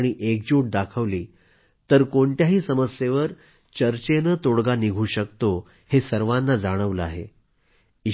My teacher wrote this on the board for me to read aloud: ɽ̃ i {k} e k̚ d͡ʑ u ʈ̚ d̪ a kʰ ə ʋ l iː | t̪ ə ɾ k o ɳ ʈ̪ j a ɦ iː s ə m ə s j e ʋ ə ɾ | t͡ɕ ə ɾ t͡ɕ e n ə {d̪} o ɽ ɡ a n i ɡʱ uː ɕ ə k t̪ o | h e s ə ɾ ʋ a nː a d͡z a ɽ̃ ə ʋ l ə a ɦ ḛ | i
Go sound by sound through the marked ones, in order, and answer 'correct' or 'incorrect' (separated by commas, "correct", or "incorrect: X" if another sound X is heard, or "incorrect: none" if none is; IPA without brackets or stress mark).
incorrect: ʔ, incorrect: t̪